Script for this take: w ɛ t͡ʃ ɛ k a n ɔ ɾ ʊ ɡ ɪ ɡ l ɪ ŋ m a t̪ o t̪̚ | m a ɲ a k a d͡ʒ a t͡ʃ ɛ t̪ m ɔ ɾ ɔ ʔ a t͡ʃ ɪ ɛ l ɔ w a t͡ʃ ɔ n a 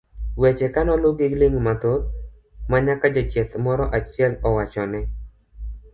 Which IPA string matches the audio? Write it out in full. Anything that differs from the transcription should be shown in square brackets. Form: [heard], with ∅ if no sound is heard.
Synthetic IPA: w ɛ t͡ʃ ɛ k a n ɔ [l] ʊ ɡ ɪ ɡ l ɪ ŋ m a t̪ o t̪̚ | m a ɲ a k a d͡ʒ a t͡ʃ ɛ t̪ m ɔ ɾ ɔ ʔ a t͡ʃ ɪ ɛ l ɔ w a t͡ʃ ɔ n [ɛ]